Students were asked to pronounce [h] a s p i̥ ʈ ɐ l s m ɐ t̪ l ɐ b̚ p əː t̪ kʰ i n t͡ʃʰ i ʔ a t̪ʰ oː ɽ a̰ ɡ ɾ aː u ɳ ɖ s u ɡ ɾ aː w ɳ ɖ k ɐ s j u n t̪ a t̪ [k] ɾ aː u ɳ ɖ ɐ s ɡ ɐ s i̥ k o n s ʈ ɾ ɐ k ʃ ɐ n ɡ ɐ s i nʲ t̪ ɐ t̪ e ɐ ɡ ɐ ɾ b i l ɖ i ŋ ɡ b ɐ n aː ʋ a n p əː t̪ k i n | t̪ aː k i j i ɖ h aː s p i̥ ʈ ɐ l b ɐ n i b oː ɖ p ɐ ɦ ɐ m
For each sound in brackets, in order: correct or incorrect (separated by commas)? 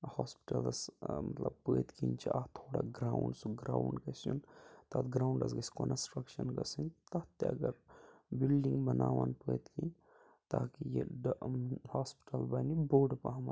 correct, incorrect